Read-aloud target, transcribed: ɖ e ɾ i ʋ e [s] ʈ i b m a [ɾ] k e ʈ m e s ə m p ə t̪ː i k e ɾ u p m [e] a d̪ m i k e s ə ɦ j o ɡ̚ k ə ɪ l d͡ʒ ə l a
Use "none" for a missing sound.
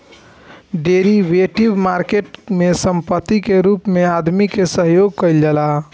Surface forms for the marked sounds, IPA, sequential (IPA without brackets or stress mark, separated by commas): none, ɾ, e